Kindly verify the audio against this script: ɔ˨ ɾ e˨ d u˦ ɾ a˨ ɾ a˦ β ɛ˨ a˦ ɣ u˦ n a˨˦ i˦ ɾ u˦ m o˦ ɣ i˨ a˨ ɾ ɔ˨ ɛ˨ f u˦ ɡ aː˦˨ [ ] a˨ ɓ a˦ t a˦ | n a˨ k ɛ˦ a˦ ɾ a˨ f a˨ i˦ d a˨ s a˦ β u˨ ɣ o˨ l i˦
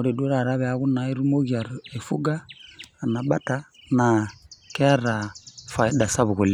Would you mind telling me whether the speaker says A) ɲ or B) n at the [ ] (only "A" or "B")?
B